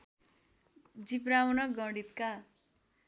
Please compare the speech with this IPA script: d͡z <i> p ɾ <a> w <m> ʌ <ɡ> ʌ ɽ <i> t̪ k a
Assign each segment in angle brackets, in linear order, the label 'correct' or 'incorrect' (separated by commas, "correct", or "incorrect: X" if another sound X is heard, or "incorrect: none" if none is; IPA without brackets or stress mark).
correct, correct, incorrect: n, correct, correct